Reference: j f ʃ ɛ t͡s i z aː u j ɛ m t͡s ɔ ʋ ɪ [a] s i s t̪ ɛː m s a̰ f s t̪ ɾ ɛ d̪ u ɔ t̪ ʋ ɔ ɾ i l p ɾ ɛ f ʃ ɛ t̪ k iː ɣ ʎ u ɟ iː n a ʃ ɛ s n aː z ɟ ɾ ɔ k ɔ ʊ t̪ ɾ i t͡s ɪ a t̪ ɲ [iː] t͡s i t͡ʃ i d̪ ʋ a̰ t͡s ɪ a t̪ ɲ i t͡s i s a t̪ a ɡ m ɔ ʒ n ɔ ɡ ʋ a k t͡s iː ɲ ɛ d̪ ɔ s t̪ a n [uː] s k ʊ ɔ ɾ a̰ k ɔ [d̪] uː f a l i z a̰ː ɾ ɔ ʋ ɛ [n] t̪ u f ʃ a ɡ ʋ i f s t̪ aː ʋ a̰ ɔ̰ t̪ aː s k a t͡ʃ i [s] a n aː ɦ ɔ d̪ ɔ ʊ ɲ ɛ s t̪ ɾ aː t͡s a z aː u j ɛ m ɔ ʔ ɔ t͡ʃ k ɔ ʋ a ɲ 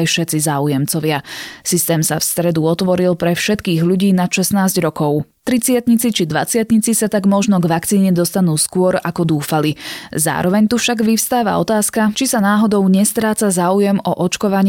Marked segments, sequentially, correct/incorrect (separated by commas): correct, incorrect, correct, correct, incorrect, correct